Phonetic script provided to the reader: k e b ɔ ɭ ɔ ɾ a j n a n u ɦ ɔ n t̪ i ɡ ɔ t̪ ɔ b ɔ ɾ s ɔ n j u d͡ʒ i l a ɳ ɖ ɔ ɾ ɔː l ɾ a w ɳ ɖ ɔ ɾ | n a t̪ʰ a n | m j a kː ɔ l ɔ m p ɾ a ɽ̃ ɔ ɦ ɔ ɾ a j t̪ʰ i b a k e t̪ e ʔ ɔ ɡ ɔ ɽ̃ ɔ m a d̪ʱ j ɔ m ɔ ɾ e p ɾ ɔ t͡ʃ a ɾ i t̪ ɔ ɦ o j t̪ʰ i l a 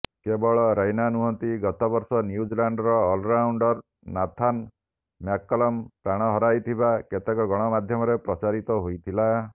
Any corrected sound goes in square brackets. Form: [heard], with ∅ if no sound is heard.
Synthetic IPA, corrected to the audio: k e b ɔ ɭ ɔ ɾ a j n a n u ɦ ɔ n t̪ i ɡ ɔ t̪ ɔ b ɔ ɾ s ɔ n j u d͡ʒ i l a ɳ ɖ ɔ ɾ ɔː l ɾ a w ɳ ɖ ɔ ɾ | n a t̪ʰ a n | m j a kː ɔ l ɔ m p ɾ a ɽ̃ ɔ ɦ ɔ ɾ a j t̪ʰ i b a k e t̪ e [k] ɔ ɡ ɔ ɽ̃ ɔ m a d̪ʱ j ɔ m ɔ ɾ e p ɾ ɔ t͡ʃ a ɾ i t̪ ɔ ɦ o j t̪ʰ i l a